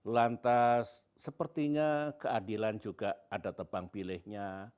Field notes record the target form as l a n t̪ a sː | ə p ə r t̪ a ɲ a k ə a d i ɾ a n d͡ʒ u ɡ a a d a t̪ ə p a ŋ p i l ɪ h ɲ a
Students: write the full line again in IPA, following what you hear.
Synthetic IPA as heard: l a n t̪ a sː | ə p ə r t̪ i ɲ a k ə a d i l a n d͡ʒ u ɡ a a d a t̪ ə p a ŋ p i l ɪ h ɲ a